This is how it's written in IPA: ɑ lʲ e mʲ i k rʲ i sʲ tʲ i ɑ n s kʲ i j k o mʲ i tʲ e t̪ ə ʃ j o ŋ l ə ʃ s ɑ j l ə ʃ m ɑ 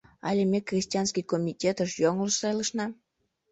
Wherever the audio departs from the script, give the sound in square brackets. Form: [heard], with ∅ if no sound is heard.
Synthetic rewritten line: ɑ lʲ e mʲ [e] k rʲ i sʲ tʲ i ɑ n s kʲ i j k o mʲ i tʲ e t̪ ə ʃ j o ŋ l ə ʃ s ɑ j l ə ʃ [n] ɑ